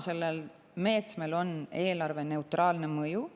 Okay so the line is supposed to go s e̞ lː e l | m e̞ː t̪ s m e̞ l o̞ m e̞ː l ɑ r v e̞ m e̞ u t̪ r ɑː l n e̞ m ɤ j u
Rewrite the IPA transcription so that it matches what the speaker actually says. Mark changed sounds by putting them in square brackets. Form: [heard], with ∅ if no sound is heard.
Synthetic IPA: s e̞ lː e l | m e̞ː t̪ s m e̞ l o̞ [n] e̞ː l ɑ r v e̞ [n] e̞ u t̪ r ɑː l n e̞ m ɤ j u